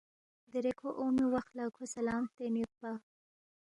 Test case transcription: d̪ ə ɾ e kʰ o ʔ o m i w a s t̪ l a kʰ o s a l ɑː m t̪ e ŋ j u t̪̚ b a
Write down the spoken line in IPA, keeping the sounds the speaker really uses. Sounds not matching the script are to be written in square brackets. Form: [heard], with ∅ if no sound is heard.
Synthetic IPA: d̪ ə ɾ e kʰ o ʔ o m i w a [x] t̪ l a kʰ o s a l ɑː m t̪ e [n] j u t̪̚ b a